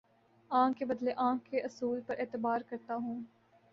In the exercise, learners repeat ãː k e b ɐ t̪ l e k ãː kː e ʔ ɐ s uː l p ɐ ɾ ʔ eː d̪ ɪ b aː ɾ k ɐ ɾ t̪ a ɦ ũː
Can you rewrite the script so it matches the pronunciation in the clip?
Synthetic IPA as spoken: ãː k e b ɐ d̪ l e ʔ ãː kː e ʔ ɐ s uː l p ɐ ɾ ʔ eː t̪ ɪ b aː ɾ k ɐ ɾ t̪ a ɦ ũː